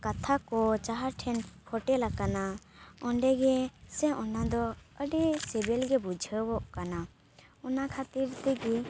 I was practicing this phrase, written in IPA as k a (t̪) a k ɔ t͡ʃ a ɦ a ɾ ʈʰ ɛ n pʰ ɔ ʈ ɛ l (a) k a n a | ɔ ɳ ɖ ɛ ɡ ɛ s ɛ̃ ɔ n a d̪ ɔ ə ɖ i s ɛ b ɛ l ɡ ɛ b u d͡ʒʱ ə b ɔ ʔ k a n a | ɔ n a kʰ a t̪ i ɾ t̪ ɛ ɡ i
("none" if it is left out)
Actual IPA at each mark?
t̪ʰ, a

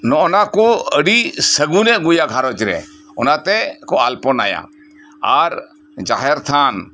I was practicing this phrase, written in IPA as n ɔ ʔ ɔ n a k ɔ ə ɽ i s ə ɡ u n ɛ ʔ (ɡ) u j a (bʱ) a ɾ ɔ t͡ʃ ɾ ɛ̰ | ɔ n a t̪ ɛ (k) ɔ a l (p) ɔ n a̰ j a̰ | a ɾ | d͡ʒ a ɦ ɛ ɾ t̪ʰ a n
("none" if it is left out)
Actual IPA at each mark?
ɡ, ɡʱ, k, p

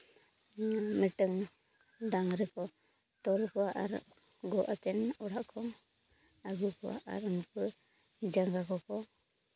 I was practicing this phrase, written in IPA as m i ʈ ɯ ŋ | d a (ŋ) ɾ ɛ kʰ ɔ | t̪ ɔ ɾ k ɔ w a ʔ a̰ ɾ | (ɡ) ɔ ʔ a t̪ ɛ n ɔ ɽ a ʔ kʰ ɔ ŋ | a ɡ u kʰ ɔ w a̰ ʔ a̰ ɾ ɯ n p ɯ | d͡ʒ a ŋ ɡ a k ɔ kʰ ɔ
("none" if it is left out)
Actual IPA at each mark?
ŋ, ɡ

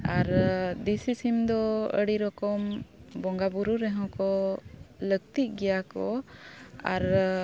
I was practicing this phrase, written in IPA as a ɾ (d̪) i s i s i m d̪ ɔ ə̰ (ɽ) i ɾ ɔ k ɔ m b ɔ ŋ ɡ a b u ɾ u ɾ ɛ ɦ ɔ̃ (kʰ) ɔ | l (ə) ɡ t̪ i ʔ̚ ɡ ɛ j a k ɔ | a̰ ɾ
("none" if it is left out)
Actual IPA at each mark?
d̪, ɽ, k, ə

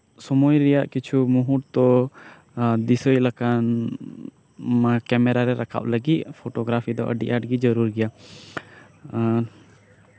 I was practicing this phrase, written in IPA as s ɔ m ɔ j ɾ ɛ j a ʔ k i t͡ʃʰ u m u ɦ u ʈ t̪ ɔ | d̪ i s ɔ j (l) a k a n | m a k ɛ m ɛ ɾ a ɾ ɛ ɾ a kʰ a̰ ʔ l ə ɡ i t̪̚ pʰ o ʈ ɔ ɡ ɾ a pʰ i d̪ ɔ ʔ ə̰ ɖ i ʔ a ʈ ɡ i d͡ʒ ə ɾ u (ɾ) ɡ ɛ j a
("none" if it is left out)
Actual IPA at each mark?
l, ɾ

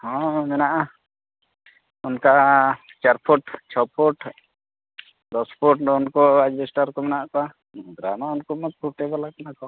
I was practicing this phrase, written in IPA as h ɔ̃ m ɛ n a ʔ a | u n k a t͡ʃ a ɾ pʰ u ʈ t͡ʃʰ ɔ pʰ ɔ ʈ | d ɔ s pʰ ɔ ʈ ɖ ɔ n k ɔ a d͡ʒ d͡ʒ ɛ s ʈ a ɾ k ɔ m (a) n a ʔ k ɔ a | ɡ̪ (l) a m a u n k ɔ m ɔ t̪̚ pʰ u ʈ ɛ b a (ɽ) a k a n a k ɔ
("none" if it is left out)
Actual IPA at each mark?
ɛ, ɾ, l

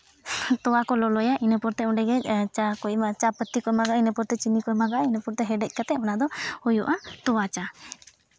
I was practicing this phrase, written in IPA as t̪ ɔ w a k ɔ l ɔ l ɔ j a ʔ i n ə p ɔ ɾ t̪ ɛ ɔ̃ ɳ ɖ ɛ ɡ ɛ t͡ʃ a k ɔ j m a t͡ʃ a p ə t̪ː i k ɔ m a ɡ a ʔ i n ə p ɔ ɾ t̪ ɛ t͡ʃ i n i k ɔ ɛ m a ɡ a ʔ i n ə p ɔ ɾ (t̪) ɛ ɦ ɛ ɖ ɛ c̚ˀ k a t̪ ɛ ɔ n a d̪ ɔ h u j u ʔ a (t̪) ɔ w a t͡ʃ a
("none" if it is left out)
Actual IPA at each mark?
t̪, t̪

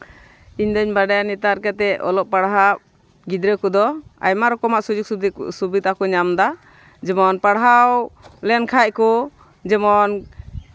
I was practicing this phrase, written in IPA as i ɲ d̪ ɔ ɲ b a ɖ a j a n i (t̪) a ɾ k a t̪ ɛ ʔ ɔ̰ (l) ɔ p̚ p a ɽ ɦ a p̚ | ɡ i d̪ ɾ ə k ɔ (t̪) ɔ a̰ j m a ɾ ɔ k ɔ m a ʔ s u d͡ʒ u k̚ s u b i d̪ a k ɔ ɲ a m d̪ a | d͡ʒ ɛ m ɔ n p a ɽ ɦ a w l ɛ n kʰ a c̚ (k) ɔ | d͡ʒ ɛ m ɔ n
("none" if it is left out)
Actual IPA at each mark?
t̪, l, d̪, k

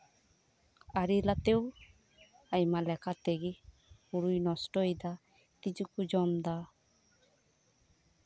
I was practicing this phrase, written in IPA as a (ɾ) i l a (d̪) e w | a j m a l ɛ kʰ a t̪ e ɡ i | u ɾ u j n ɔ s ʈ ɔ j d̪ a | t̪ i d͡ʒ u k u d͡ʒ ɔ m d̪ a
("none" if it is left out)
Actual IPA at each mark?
ɾ, t̪

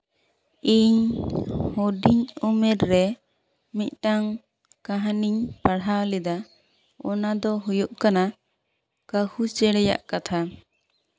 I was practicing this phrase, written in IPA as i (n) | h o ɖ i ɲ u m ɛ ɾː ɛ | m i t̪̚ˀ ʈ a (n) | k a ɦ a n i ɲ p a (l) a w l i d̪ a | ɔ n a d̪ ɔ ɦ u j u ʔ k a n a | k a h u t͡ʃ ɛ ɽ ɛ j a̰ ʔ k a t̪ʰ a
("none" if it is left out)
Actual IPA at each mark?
ɲ, ŋ, ɽ

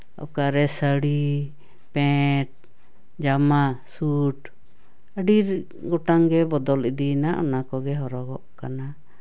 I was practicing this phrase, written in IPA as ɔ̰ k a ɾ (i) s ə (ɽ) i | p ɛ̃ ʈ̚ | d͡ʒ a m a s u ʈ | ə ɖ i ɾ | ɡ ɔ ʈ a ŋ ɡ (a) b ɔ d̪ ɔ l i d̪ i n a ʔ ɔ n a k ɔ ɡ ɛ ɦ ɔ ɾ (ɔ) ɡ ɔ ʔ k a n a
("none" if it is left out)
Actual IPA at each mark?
ɛ, ɽ, ɛ, ɔ

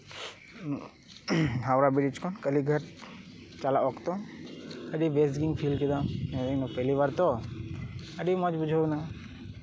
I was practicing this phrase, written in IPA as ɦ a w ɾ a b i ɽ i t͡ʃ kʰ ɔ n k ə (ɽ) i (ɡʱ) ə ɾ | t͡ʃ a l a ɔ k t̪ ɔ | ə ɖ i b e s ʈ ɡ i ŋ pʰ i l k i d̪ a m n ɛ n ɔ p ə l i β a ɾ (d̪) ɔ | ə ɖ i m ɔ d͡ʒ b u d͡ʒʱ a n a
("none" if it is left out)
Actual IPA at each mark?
l, ɡʱ, t̪

